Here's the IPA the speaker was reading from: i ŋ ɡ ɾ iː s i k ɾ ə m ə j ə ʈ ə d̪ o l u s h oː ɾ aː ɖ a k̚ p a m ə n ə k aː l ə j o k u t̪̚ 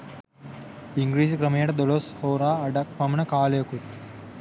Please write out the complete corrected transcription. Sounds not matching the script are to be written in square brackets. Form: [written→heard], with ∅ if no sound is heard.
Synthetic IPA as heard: i ŋ ɡ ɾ iː s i k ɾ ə m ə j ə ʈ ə d̪ o l [u→o] s h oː ɾ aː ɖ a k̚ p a m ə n ə k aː l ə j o k u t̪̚